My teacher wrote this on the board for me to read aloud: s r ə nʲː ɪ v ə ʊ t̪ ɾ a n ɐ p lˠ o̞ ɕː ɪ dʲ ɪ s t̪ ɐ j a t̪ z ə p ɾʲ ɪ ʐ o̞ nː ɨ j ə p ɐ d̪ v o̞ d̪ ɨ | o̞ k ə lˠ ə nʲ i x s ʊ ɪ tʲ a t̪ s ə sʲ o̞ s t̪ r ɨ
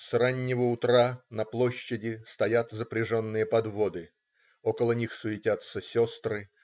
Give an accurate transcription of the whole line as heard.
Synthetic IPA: s r a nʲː ɪ v ə ʊ t̪ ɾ a n ɐ p lˠ o̞ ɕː ɪ dʲ ɪ s t̪ ɐ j a t̪ z ə p ɾʲ ɪ ʐ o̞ nː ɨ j ə p ɐ d̪ v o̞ d̪ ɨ | o̞ k ə lˠ ə nʲ i x s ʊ ɪ tʲ a t̪ s ə sʲ o̞ s t̪ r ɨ